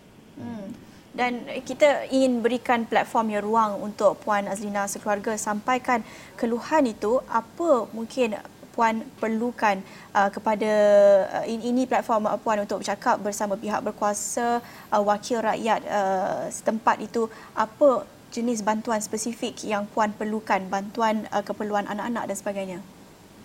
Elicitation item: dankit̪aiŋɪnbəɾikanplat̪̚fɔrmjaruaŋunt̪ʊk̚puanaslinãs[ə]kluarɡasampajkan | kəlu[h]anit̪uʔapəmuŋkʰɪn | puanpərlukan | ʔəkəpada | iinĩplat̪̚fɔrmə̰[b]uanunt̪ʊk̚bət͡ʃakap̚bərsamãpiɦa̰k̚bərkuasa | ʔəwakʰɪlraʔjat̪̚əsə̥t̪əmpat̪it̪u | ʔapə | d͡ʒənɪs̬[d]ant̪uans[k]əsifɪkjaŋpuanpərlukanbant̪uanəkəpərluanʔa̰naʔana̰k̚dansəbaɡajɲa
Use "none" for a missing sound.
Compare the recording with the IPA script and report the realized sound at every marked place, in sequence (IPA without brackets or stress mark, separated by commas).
ə, h, p, b, p